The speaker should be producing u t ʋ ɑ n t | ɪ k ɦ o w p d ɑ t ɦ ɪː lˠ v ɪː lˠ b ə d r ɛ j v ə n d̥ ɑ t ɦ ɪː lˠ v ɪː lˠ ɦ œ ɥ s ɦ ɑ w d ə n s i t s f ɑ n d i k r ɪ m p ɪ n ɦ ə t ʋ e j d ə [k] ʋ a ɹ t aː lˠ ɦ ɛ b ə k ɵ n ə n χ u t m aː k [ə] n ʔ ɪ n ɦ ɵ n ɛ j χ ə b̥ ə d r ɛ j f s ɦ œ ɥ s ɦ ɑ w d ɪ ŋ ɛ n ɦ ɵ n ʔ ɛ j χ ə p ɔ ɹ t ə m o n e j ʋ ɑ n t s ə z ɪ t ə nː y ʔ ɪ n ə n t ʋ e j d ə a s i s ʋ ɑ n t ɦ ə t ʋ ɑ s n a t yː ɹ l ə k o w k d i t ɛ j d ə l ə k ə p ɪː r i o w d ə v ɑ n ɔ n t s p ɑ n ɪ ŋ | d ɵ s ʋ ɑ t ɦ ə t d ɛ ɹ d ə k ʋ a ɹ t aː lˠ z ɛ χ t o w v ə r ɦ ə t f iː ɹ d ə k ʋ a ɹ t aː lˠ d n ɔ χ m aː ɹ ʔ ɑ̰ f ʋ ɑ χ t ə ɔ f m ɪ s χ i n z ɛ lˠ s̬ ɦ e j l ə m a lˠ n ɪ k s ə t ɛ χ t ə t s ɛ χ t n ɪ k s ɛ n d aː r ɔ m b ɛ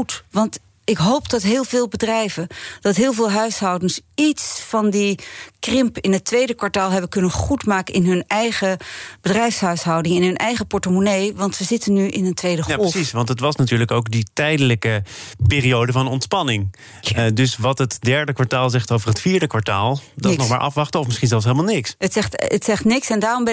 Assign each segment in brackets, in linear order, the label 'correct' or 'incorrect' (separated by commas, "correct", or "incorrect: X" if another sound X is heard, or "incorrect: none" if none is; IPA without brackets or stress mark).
correct, correct